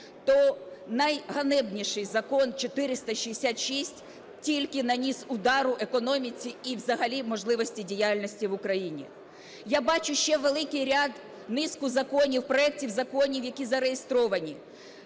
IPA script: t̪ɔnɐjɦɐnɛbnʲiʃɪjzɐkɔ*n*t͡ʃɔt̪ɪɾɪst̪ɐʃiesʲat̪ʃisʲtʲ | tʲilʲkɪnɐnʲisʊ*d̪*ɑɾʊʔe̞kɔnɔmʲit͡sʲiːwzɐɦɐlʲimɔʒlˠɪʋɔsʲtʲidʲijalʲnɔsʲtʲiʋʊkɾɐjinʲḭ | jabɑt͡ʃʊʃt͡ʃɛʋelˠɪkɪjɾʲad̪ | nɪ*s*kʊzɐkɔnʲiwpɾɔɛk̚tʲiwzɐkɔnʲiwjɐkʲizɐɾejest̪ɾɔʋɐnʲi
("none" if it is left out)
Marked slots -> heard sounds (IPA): n, d̪, s

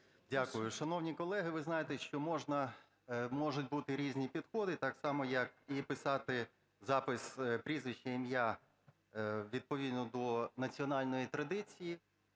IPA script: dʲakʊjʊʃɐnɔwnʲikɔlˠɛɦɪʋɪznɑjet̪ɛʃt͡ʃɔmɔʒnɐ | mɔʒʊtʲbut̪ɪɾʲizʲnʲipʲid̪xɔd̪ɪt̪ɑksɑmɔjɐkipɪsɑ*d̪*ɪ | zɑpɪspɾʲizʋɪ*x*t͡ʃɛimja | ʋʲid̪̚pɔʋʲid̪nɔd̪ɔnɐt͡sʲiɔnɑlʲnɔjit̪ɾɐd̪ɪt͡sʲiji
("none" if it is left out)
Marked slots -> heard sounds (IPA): t̪, ʃ

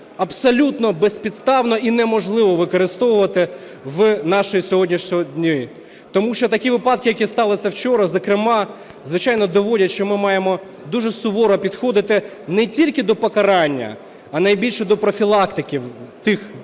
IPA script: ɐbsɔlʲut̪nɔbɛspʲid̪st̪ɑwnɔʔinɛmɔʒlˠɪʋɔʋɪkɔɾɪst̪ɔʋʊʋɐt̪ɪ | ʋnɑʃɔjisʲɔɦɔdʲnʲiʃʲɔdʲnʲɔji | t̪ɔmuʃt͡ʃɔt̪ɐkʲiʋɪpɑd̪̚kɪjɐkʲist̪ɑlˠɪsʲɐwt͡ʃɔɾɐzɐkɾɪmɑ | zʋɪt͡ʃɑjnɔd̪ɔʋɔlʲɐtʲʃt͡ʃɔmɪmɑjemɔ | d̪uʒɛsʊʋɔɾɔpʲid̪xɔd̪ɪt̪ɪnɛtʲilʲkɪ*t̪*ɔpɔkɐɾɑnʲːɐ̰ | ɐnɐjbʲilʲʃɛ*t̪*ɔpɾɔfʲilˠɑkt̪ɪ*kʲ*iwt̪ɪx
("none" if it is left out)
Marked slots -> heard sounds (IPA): d̪, d̪, kʲ

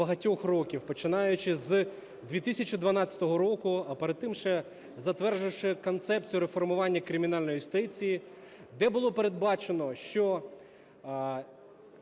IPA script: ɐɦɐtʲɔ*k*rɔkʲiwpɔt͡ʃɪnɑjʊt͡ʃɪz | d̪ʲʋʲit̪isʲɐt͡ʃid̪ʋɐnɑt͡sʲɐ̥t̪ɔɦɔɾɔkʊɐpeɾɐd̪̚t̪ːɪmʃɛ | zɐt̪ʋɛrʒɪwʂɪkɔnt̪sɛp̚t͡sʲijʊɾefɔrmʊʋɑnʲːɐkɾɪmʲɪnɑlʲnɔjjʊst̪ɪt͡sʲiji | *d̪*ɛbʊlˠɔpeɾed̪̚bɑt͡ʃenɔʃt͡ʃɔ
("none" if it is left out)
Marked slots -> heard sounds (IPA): x, d̪

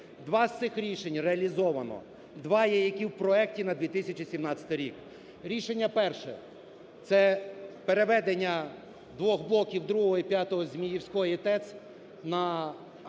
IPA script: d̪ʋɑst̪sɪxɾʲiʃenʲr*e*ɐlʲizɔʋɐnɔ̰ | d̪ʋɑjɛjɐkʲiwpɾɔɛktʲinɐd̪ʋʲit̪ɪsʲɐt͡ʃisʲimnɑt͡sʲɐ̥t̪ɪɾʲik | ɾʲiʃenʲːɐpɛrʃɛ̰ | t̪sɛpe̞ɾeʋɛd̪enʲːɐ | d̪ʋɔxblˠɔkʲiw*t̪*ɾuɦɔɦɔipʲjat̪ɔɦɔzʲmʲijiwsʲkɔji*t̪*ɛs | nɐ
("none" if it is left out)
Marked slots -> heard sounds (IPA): e, d̪, t̪

